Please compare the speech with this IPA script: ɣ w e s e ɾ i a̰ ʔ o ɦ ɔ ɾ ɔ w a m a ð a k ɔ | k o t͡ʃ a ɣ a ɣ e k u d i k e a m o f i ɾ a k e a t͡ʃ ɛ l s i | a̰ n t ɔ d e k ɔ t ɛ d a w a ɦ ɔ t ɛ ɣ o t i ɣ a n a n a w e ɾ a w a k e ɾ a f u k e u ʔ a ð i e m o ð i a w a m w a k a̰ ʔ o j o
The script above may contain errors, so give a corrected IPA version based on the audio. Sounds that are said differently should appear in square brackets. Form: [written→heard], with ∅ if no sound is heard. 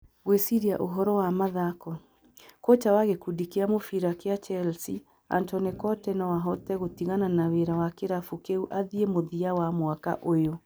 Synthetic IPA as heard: ɣ w e s [e→i] ɾ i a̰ ʔ o ɦ ɔ ɾ ɔ w a m a ð a k ɔ | k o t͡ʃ a [ɣ→w] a ɣ e k u d i k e a m o f i ɾ a k e a t͡ʃ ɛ l s i | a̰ n t ɔ [d→n] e k ɔ t ɛ [d→n] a w a ɦ ɔ t ɛ ɣ o t i ɣ a n a n a w e ɾ a w a k e ɾ a f u k e u ʔ a ð i e m o ð i a w a m w a k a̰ ʔ o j o